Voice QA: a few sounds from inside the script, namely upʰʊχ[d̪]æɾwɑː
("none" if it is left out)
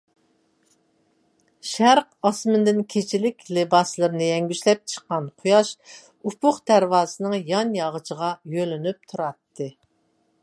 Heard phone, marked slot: d̪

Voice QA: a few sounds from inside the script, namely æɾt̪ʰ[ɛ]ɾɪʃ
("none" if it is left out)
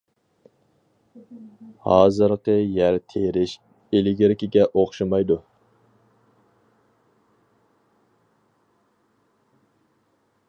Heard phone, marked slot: e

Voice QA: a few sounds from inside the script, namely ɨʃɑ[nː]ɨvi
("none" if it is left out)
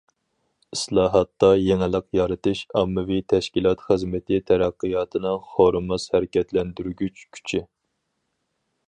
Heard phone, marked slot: mː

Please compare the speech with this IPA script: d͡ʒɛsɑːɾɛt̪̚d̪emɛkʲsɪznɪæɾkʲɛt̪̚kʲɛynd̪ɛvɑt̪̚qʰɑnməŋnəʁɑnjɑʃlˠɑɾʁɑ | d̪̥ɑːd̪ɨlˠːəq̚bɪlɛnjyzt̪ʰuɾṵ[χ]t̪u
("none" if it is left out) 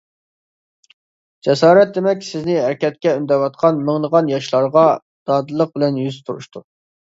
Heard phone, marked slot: ʃ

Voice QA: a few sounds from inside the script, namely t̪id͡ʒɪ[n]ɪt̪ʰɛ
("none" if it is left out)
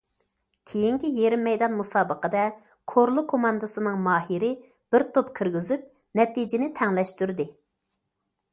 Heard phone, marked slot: n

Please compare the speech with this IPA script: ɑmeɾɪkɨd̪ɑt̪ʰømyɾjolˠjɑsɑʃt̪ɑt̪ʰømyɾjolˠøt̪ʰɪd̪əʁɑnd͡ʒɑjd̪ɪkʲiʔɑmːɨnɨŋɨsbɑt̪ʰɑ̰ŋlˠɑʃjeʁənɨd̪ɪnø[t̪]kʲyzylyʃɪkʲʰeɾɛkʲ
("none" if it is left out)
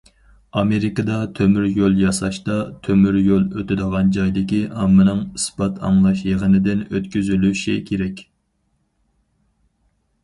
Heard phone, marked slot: t̪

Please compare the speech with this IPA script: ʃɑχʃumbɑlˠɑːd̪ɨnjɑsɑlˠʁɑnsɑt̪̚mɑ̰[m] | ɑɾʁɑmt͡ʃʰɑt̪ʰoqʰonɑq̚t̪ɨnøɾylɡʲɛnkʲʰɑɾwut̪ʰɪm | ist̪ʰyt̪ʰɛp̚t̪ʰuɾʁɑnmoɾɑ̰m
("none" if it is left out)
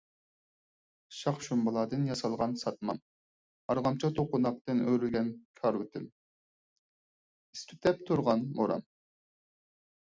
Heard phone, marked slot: m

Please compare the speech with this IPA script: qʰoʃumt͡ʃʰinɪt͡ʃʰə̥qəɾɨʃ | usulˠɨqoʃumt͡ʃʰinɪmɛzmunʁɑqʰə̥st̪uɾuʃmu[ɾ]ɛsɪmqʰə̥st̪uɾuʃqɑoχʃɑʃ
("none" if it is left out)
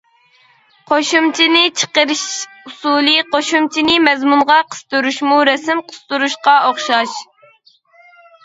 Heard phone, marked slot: ɾ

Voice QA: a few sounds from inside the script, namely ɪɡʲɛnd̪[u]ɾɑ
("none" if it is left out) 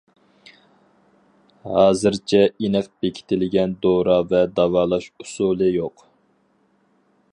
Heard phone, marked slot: o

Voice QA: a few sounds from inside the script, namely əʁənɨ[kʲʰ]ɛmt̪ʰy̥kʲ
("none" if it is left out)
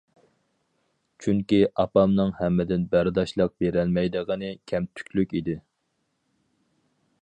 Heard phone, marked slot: kʲʰ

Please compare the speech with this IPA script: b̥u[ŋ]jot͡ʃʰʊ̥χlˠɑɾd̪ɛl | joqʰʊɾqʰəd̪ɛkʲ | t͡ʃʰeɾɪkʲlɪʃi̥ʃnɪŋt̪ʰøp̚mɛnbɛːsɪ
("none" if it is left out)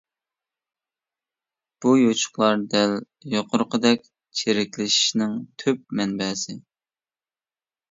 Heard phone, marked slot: none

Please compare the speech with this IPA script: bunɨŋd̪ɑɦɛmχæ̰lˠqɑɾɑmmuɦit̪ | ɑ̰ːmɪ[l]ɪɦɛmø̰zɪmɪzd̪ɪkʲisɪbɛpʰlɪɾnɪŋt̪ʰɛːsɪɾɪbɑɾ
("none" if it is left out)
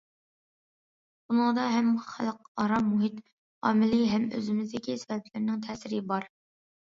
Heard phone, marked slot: l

